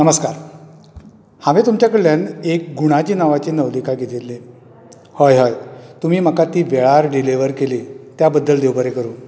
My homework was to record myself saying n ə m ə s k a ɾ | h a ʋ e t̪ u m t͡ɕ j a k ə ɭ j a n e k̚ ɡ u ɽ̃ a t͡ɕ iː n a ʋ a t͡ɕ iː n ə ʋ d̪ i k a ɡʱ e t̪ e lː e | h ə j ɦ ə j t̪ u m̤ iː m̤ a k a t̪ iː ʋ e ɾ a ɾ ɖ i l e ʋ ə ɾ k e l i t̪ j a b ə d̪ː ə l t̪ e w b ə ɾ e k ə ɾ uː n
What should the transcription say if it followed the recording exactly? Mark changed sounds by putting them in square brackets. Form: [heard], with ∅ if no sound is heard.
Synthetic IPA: n ə m ə s k a ɾ | h a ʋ e t̪ u m t͡ɕ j a k ə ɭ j a n e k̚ ɡ u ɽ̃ a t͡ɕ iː n a ʋ a t͡ɕ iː n ə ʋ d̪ i k a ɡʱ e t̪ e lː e | h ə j ɦ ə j t̪ u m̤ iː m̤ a k a t̪ iː ʋ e [ɭ] a ɾ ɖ i l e ʋ ə ɾ k e l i t̪ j a b ə d̪ː ə l [d̪] e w b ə ɾ e k ə ɾ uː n